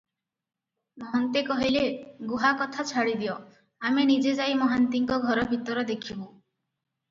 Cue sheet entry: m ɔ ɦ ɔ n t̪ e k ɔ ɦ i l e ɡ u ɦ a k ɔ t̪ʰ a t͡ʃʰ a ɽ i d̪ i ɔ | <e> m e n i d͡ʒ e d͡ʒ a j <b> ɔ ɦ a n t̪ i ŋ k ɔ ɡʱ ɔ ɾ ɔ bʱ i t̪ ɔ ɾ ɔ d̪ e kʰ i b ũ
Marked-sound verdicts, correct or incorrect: incorrect: a, incorrect: m

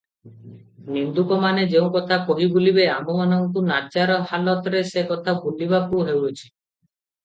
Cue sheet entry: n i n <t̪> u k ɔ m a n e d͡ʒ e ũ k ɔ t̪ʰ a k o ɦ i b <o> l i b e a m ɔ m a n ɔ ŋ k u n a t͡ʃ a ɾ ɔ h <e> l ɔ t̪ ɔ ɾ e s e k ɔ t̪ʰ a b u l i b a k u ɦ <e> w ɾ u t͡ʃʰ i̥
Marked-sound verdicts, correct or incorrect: incorrect: d̪, incorrect: u, incorrect: a, correct

